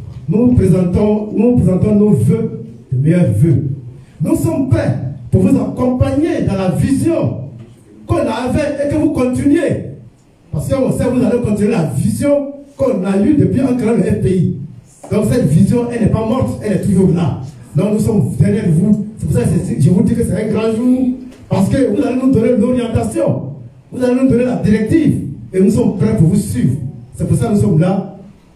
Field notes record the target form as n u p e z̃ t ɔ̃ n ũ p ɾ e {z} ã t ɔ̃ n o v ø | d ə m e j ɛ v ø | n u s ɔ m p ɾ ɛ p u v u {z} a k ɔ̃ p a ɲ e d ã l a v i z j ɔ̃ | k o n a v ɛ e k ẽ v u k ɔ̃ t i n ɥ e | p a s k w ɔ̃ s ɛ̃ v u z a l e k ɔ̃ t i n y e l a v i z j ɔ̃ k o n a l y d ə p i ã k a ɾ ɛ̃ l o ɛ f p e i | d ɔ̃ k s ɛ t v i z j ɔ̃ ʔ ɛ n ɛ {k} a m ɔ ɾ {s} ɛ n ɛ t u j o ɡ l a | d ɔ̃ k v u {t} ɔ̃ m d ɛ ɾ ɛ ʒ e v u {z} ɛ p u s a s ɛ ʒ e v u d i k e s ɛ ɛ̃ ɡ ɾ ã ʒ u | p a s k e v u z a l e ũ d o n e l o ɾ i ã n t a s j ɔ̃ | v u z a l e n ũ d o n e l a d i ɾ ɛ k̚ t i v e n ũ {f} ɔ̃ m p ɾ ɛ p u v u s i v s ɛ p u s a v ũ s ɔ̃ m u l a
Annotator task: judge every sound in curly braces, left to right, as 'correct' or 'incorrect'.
correct, correct, incorrect: p, incorrect: t, incorrect: s, incorrect: s, incorrect: s

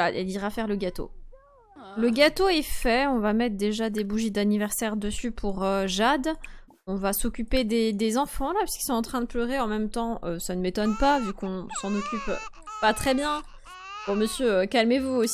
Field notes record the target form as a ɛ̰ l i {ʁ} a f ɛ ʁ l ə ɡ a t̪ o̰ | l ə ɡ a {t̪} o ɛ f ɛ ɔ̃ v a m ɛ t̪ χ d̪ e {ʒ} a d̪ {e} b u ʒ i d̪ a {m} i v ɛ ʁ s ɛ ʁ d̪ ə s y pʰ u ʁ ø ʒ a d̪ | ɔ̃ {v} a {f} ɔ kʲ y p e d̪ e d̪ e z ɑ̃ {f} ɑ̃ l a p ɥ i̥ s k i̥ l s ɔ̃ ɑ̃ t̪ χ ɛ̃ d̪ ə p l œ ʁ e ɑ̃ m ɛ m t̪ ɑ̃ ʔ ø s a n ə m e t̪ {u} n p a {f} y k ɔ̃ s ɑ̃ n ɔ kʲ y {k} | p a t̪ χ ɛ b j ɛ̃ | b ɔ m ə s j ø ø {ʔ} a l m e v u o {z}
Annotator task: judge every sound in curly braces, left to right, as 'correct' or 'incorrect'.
correct, correct, correct, correct, incorrect: n, correct, incorrect: s, correct, incorrect: ɔ, incorrect: v, incorrect: p, incorrect: k, incorrect: s

